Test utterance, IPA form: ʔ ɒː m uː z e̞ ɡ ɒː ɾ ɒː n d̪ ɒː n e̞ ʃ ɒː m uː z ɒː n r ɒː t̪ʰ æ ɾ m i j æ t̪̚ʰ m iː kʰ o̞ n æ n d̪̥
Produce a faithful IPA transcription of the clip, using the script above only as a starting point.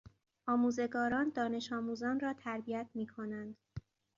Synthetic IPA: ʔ ɒː m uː z e̞ ɡ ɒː ɾ ɒː n d̪ ɒː n e̞ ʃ ɒː m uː z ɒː n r ɒː t̪ʰ æ ɾ b i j æ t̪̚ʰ m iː kʰ o̞ n æ n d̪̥

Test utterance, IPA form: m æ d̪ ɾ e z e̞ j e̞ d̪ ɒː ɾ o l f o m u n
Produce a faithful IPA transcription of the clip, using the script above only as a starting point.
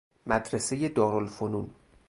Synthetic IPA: m æ d̪ ɾ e s e̞ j e̞ d̪ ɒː ɾ o l f o n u n

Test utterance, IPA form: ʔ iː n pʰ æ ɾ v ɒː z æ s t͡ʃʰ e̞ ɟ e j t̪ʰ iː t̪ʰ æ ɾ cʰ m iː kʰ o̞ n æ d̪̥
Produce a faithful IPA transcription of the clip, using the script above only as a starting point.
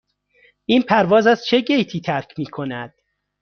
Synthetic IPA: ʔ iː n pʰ æ ɾ v ɒː z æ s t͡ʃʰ e̞ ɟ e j t̪ʰ iː t̪ʰ æ ɾ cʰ m iː kʰ o̞ n æ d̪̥

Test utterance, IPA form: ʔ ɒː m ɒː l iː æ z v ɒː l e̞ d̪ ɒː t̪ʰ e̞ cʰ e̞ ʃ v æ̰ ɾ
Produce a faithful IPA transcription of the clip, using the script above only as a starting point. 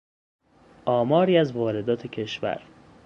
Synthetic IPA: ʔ ɒː m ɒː ɾ iː æ z v ɒː ɾ e̞ d̪ ɒː t̪ʰ e̞ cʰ e̞ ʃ v æ̰ ɾ

